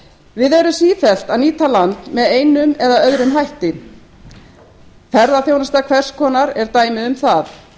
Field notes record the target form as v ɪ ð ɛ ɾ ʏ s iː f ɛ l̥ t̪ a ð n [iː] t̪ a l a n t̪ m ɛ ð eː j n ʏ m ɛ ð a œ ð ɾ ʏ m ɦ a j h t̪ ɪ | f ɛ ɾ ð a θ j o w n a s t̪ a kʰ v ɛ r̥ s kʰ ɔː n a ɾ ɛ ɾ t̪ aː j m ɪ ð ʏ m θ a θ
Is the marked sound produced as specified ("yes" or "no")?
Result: yes